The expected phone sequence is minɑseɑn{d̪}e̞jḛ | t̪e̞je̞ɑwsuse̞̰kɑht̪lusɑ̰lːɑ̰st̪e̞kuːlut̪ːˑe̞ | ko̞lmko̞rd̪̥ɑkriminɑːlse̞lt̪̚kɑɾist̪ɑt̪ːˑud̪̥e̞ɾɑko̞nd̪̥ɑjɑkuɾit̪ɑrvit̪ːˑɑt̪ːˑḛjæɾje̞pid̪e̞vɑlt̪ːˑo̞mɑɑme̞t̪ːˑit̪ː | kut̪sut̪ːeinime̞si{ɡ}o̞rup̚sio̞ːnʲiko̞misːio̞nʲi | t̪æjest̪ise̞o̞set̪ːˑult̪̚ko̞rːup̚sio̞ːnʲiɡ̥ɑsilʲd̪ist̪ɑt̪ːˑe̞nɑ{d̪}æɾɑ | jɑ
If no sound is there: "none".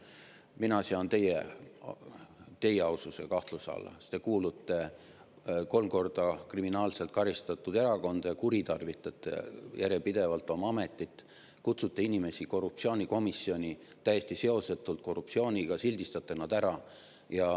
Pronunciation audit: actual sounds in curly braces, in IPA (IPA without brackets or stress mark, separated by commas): t̪, k, d̪